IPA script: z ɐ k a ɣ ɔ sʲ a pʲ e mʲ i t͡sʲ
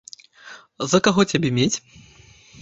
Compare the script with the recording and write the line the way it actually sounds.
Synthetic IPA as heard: z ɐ k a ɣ ɔ t͡sʲ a bʲ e mʲ e t͡sʲ